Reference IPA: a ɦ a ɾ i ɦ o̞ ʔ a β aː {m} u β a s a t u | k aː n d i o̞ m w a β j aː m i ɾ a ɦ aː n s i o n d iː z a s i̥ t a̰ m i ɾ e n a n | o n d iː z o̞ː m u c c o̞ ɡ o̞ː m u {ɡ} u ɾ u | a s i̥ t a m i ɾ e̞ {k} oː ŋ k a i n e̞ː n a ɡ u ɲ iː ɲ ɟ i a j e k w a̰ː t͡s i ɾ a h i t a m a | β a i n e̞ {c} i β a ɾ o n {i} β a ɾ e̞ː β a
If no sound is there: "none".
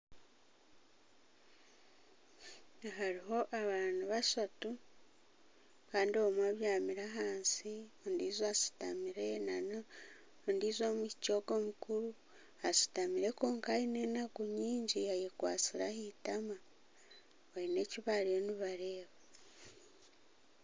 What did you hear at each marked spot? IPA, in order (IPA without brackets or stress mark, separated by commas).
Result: n, k, k, c, i